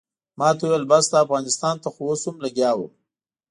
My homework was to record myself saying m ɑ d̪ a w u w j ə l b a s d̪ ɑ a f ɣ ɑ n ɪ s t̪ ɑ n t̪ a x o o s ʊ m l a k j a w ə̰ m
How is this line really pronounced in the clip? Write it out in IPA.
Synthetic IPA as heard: m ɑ t̪ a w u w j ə l b a s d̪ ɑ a f ɣ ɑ n ɪ s t̪ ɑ n t̪ a x o o s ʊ m l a ɡ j ɑ w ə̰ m